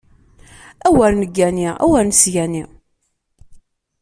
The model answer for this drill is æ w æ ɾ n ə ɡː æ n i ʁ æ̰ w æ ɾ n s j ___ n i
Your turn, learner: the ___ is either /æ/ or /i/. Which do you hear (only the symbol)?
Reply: æ